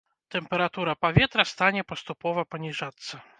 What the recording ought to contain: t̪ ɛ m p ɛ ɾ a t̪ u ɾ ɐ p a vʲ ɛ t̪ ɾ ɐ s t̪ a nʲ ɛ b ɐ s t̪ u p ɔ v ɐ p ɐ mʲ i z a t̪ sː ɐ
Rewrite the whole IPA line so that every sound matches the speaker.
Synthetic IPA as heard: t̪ ɛ m p ɛ ɾ a t̪ u ɾ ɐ p a vʲ ɛ t̪ ɾ ɐ s t̪ a nʲ ɛ p ɐ s t̪ u p ɔ v ɐ p ɐ nʲ i ʐ a t̪ sː ɐ